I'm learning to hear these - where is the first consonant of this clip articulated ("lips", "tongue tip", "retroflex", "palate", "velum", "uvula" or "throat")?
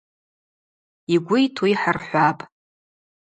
velum